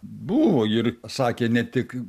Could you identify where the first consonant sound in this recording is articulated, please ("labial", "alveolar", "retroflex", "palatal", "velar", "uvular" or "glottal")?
labial